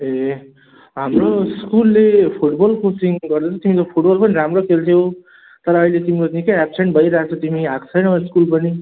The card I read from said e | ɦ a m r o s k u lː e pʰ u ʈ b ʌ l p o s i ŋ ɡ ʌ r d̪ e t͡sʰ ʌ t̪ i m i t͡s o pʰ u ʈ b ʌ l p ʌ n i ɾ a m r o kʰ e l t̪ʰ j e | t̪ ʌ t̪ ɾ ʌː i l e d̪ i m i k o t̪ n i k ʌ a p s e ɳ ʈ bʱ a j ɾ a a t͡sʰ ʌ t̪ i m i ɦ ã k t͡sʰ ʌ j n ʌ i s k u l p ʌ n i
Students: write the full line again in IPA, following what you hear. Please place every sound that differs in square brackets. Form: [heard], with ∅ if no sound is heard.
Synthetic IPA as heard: e | ɦ a m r o s k u lː e pʰ u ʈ b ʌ l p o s i ŋ ɡ ʌ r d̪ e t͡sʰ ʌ t̪ i m i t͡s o pʰ u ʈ b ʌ l p ʌ n i ɾ a m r o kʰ e l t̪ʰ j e | t̪ ʌ [∅] ɾ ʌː i l e [t̪] i m i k o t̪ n i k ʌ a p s e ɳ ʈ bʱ [ʌ] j ɾ a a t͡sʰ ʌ t̪ i m i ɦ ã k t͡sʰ ʌ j n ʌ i s k u l p ʌ n i

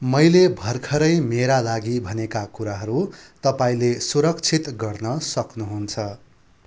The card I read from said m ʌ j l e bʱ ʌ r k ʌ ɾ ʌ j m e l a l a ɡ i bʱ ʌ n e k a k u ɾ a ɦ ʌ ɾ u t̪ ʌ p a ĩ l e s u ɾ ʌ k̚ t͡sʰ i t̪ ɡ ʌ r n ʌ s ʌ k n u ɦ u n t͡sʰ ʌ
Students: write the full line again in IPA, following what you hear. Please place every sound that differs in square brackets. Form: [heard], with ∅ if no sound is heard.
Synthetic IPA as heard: m ʌ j l e bʱ ʌ r [kʰ] ʌ ɾ ʌ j m e [ɾ] a l a ɡ i bʱ ʌ n e k a k u ɾ a ɦ ʌ ɾ u t̪ ʌ p a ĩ l e s u ɾ ʌ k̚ t͡sʰ i t̪ ɡ ʌ r n ʌ s ʌ k n u ɦ u n t͡sʰ ʌ

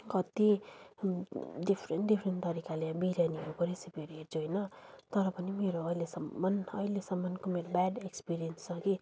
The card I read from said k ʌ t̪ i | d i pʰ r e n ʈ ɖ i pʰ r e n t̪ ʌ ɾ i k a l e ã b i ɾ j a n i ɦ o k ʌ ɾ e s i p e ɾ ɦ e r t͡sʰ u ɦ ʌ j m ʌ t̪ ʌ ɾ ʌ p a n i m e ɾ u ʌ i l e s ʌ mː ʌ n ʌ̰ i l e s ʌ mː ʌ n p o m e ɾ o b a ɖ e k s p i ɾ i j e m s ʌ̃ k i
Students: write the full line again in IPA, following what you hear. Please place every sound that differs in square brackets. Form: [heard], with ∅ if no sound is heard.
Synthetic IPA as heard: k ʌ t̪ i | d i pʰ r e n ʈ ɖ i pʰ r e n t̪ ʌ ɾ i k a l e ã b i ɾ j a n i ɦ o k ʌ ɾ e s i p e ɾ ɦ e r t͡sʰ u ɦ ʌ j [n] ʌ t̪ ʌ ɾ ʌ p [ʌ] n i m e ɾ [o] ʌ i l e s ʌ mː ʌ n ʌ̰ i l e s ʌ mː ʌ n [k] o m e ɾ o b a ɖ e k s p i ɾ i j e [n] s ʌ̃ k i

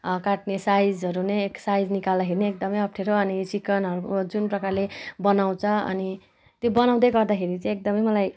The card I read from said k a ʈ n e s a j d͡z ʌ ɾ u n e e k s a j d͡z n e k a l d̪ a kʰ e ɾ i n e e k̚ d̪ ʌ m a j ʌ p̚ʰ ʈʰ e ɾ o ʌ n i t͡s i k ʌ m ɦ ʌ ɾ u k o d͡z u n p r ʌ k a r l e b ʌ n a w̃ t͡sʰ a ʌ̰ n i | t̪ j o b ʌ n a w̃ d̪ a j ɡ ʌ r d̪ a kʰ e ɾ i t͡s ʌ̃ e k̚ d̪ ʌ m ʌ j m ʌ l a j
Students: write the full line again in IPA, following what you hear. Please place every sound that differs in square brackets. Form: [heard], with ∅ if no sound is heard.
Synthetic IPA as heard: k a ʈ n e s a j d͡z ʌ ɾ u n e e k s a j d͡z n [i] k a l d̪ a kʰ e ɾ i n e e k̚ d̪ ʌ m [ʌ] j ʌ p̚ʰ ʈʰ e ɾ o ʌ n i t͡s i k ʌ [n] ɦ ʌ ɾ u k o d͡z u n p r ʌ k a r l e b ʌ n a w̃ t͡sʰ [ʌ] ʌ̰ n i | t̪ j o b ʌ n a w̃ d̪ [ʌ] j ɡ ʌ r d̪ a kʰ e ɾ i t͡s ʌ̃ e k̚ d̪ ʌ m ʌ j m ʌ l a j

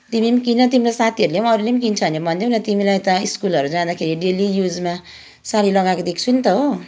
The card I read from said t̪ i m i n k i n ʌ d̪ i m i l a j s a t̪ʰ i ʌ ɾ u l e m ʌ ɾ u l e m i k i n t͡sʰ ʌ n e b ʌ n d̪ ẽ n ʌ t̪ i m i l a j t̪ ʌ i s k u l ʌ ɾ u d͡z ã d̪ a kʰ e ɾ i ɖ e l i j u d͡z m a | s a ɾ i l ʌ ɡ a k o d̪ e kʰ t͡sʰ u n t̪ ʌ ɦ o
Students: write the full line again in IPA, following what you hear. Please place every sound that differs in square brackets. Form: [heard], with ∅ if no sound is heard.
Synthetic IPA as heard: t̪ i m i [m] k i n ʌ [t̪] i m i l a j s a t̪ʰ i ʌ ɾ u l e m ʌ ɾ u l e m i k i n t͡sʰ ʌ n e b ʌ n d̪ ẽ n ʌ t̪ i m i l a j t̪ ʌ i s k u l ʌ ɾ u d͡z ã d̪ a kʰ e ɾ i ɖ e l i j u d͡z m a | s a ɾ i l ʌ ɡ a k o d̪ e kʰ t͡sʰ u n t̪ ʌ ɦ o

